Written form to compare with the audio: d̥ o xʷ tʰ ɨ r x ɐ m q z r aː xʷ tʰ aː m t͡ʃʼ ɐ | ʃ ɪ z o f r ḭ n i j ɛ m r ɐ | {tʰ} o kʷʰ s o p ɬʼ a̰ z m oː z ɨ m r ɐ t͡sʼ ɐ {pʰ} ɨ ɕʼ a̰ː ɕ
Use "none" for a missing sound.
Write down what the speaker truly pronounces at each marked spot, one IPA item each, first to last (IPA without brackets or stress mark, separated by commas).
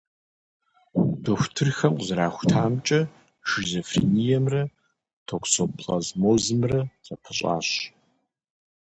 tʰ, pʰ